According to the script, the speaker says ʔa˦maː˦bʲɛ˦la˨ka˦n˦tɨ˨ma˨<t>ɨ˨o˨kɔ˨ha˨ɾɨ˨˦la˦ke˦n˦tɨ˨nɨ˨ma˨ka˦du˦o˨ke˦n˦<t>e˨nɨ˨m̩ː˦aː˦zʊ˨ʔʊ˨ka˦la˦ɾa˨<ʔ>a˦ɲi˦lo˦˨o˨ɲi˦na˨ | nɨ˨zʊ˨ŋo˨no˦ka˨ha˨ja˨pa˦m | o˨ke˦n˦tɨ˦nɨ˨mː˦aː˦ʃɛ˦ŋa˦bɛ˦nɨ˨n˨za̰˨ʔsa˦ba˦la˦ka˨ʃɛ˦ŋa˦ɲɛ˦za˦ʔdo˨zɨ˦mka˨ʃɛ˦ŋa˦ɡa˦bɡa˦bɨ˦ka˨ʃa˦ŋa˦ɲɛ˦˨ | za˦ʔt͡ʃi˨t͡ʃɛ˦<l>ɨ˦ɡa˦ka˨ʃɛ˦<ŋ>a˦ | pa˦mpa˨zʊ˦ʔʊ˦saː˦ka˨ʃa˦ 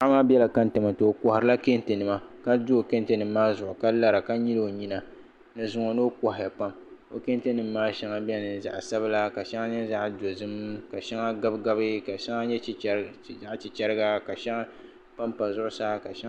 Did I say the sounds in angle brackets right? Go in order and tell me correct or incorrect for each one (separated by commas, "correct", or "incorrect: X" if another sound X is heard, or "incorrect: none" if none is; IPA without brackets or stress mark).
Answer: correct, correct, incorrect: k, incorrect: ɾ, correct